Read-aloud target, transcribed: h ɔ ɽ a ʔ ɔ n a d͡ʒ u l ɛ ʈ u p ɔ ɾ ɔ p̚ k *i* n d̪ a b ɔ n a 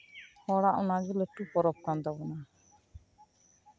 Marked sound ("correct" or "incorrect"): incorrect